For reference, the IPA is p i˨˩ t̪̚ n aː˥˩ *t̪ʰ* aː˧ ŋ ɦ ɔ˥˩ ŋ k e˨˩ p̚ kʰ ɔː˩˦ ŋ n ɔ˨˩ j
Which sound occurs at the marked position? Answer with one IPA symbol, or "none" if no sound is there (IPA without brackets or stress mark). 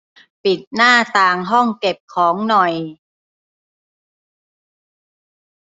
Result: t̪